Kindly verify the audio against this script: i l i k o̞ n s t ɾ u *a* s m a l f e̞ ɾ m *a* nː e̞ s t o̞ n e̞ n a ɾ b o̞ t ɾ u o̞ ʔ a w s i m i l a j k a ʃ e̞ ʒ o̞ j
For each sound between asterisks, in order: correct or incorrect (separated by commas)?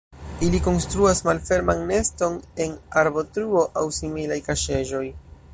correct, correct